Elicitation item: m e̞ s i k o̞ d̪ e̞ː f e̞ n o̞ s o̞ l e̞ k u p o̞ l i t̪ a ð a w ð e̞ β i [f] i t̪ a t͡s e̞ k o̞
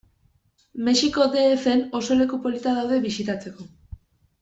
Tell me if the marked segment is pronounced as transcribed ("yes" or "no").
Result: no